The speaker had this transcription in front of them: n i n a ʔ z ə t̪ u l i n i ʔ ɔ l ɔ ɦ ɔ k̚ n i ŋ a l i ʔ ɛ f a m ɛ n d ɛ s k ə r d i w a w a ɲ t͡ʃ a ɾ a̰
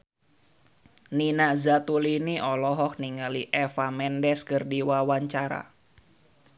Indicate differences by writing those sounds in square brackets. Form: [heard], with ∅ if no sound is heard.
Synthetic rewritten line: n i n a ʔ z [a] t̪ u l i n i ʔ ɔ l ɔ ɦ ɔ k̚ n i ŋ a l i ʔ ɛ f a m ɛ n d ɛ s k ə r d i w a w a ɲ t͡ʃ a ɾ a̰